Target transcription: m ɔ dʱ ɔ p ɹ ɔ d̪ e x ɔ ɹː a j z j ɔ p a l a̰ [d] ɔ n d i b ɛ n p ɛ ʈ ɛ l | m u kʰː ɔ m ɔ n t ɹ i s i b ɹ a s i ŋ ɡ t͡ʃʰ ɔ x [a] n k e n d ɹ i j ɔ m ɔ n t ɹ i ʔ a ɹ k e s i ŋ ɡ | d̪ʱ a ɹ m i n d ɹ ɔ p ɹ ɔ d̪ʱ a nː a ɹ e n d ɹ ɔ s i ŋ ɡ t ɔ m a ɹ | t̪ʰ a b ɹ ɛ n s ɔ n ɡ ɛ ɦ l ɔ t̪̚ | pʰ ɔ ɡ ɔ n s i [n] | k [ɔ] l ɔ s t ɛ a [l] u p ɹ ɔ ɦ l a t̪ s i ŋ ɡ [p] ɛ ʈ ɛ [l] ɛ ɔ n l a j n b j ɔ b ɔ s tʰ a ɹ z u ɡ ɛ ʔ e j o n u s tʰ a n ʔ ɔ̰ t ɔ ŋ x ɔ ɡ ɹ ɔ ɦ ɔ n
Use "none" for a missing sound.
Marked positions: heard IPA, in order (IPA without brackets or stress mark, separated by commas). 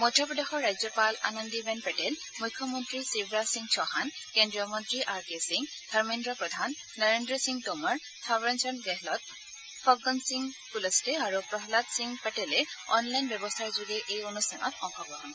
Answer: n, a, ŋ, u, ɹ, p, l